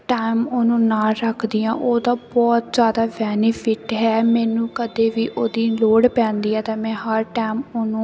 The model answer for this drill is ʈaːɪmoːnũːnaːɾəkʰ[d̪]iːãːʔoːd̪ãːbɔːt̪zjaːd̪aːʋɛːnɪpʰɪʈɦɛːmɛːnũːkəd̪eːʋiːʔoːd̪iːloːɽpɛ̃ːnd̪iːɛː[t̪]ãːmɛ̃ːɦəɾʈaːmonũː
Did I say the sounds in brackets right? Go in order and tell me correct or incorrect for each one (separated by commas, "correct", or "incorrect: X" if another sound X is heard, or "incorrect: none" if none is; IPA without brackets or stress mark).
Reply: correct, correct